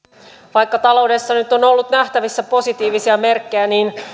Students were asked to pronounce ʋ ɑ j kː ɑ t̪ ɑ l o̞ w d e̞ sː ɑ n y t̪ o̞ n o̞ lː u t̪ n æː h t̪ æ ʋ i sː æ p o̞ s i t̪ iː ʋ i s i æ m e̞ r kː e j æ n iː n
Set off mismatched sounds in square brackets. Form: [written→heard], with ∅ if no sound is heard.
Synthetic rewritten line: ʋ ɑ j kː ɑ t̪ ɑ l o̞ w d e̞ sː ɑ n y t̪ o̞ n o̞ lː u t̪ n [æː→æ] h t̪ æ ʋ i sː æ p o̞ s i t̪ iː ʋ i s i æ m e̞ r kː e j æ n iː n